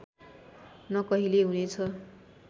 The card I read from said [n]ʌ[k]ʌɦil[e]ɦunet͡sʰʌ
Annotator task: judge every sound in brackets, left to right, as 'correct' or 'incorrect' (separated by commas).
correct, correct, correct